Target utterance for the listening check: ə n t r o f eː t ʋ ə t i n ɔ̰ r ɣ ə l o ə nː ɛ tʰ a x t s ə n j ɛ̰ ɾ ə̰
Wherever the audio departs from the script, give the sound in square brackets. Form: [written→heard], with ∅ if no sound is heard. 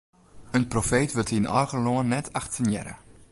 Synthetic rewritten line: ə n [t→p] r o f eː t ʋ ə t i n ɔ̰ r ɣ ə l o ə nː ɛ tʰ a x t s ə n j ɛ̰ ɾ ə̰